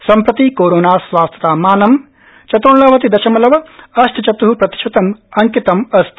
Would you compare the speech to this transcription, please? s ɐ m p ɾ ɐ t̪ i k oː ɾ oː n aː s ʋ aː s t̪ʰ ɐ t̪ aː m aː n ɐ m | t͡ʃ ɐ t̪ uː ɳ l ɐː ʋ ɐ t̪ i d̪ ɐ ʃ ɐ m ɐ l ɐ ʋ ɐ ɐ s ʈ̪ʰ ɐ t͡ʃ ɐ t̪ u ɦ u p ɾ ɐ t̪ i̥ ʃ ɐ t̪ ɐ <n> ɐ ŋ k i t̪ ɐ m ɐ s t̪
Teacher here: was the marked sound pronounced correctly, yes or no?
no